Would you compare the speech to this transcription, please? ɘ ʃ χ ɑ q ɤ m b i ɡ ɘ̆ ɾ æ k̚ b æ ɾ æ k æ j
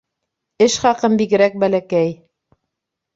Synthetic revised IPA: ɘ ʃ χ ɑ q ɤ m b i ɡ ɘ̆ ɾ æ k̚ b æ l æ k æ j